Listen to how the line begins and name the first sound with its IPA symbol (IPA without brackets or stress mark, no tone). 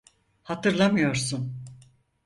h